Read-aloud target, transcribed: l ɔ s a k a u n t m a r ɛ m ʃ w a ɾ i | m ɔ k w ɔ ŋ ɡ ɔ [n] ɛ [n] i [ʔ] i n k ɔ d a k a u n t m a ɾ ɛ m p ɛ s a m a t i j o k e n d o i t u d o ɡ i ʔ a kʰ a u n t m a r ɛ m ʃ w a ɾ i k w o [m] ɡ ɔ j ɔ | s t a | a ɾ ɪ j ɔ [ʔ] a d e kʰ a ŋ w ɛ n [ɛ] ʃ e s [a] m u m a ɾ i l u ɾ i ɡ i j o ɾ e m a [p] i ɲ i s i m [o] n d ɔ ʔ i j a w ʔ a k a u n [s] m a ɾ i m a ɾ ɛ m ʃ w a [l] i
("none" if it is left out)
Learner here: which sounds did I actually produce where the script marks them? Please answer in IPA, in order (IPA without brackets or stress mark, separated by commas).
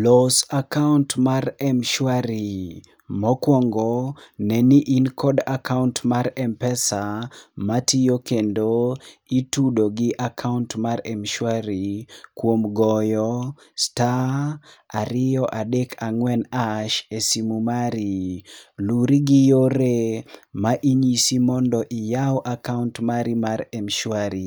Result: n, n, ʔ, m, ʔ, a, i, ʔ, ɔ, t, ɾ